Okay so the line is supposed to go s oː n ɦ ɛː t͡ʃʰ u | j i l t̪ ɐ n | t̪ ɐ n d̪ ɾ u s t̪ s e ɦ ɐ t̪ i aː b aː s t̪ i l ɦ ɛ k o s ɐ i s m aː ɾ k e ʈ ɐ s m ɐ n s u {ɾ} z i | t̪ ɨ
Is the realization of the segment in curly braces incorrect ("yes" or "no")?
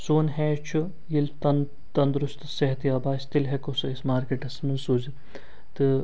yes